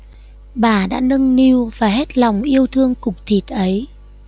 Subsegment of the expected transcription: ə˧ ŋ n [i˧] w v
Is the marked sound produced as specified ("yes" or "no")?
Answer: yes